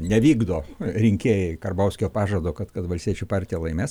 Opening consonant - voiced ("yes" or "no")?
yes